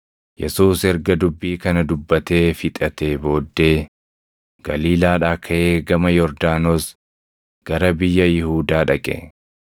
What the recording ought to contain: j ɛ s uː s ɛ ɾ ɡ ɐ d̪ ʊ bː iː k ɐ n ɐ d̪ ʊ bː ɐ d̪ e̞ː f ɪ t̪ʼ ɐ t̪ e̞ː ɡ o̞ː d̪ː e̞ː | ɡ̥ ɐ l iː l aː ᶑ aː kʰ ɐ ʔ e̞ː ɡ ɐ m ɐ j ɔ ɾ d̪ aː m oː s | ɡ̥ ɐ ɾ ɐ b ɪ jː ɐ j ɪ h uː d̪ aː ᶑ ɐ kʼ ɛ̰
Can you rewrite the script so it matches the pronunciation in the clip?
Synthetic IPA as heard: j ɛ s uː s ɛ ɾ ɡ ɐ d̪ ʊ bː iː k ɐ n ɐ d̪ ʊ bː ɐ t̪ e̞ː f ɪ t̪ʼ ɐ t̪ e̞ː b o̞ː d̪ː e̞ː | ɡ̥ ɐ l iː l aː ᶑ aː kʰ ɐ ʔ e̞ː ɡ ɐ m ɐ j ɔ ɾ d̪ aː n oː s | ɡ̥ ɐ ɾ ɐ b ɪ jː ɐ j ɪ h uː d̪ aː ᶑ ɐ kʼ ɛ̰